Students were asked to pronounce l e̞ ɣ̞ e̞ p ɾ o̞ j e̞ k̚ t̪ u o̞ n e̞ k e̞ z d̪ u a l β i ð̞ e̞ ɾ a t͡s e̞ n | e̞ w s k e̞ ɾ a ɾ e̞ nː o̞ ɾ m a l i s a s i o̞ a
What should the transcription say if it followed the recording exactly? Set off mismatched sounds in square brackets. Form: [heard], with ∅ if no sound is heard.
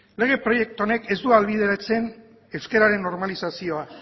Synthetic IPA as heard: l e̞ ɣ̞ e̞ p ɾ o̞ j e̞ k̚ t̪ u o̞ n e̞ k e̞ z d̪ u a l β i ð̞ e̞ ɾ a t͡s e̞ n | e̞ w s k e̞ ɾ a ɾ e̞ nː o̞ ɾ m a l i s a s i o̞ a

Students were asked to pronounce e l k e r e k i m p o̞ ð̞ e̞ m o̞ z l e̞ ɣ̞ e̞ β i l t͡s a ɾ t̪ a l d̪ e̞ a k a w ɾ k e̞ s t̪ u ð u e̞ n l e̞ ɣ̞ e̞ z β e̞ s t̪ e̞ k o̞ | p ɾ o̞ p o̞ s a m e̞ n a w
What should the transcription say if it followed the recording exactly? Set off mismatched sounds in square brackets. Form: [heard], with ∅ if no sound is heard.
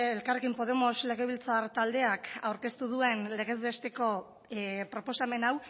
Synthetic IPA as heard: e l k [a] r e k i m p o̞ ð̞ e̞ m o̞ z l e̞ ɣ̞ e̞ β i l t͡s a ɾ t̪ a l d̪ e̞ a k a w ɾ k e̞ s t̪ u ð u e̞ n l e̞ ɣ̞ e̞ z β e̞ s t̪ e̞ k o̞ | p ɾ o̞ p o̞ s a m e̞ n a w

